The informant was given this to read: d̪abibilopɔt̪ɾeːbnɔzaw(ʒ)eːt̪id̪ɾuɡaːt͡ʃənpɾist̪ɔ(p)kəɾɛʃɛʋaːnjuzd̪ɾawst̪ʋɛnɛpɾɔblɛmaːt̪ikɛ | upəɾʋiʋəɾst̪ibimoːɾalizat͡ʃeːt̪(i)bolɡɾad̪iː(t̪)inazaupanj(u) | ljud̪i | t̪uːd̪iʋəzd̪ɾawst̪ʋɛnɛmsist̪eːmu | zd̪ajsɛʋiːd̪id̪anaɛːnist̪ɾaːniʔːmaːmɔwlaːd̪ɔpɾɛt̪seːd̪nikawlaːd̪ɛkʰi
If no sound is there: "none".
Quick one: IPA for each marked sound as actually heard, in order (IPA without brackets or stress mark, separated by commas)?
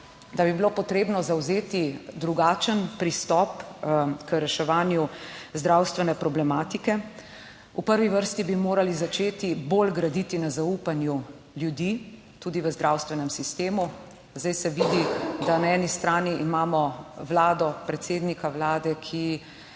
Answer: z, p, i, t̪, u